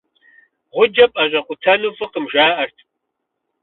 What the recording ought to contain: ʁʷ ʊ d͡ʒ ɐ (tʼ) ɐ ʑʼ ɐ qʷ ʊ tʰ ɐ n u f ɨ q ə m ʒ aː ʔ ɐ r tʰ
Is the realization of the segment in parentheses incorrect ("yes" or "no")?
yes